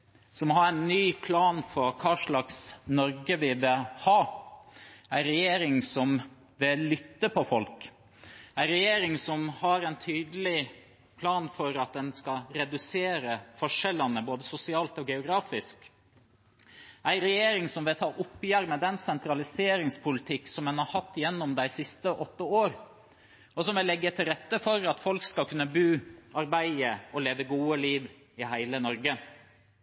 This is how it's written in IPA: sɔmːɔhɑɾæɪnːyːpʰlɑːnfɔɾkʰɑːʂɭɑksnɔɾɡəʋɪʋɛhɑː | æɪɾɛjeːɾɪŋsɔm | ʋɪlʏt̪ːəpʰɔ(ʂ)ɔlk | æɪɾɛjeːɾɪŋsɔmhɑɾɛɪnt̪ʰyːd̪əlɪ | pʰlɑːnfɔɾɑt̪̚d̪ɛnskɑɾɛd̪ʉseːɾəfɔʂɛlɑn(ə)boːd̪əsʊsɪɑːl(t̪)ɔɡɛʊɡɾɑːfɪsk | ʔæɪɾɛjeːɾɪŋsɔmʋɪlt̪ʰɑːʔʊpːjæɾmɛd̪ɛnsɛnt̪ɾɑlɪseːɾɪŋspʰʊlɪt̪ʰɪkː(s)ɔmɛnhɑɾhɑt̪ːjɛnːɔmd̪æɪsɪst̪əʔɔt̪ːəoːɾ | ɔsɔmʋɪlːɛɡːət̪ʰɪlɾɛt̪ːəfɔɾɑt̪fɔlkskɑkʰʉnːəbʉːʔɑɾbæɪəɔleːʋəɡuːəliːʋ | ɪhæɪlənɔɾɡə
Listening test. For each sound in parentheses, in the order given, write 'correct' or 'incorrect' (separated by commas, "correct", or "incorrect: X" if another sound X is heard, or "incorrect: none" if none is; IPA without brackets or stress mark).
incorrect: f, correct, correct, correct